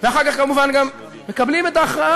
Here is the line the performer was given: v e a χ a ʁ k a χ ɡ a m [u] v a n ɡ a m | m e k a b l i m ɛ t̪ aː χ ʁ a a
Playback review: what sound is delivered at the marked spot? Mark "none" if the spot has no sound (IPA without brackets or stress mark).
u